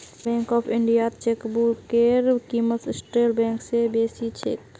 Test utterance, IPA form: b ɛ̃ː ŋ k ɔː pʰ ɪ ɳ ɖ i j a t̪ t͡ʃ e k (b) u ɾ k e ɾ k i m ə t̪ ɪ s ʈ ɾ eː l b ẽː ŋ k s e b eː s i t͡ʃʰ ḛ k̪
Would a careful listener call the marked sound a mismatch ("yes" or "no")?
no